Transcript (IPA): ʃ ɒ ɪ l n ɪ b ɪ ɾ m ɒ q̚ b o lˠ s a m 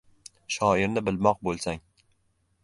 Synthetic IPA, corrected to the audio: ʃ ɒ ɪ ɾ n ɪ b ɪ l m ɒ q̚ b o lˠ s a ŋ